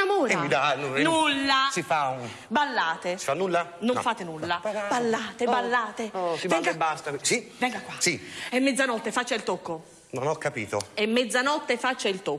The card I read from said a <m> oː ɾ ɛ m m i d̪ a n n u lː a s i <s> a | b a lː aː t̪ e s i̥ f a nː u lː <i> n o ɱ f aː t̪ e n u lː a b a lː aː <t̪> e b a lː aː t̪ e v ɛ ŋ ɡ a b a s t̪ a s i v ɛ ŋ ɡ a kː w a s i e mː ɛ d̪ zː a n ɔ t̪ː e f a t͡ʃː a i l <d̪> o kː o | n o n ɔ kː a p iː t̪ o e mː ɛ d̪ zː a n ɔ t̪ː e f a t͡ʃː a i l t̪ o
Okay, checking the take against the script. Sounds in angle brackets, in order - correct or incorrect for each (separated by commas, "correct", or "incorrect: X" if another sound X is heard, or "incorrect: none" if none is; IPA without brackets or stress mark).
correct, incorrect: f, incorrect: a, correct, incorrect: t̪